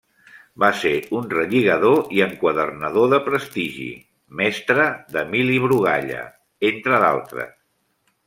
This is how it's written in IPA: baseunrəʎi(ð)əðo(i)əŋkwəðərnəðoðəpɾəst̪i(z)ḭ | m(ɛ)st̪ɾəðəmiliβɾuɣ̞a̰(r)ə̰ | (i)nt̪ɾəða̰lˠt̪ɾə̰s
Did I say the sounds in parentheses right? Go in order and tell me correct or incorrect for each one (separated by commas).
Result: incorrect, correct, incorrect, correct, incorrect, incorrect